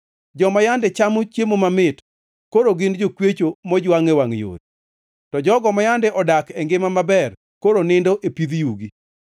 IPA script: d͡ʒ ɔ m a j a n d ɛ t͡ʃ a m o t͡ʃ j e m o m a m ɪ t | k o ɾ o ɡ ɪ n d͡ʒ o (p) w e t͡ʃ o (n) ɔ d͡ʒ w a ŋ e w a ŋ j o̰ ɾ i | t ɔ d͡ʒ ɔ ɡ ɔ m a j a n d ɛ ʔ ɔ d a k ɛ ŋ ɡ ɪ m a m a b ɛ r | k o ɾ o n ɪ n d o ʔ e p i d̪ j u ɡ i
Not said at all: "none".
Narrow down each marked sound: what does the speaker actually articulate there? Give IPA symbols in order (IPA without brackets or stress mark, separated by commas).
k, m